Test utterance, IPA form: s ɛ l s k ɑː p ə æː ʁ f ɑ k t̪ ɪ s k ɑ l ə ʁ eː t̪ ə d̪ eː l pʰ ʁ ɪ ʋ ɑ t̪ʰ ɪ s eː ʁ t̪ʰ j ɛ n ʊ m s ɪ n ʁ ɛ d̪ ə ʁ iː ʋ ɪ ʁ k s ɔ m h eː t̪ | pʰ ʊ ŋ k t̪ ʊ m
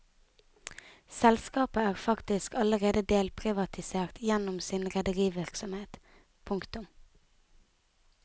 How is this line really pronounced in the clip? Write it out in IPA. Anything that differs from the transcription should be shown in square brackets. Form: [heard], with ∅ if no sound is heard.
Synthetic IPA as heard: s ɛ l s k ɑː p ə æː ʁ f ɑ k t̪ ɪ s k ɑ l ə ʁ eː [d̪] ə d̪ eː l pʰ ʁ ɪ ʋ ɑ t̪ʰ ɪ s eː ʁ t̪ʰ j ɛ n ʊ m s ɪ n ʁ ɛ d̪ ə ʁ iː ʋ ɪ ʁ k s ɔ m h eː t̪ | pʰ ʊ ŋ k t̪ ʊ m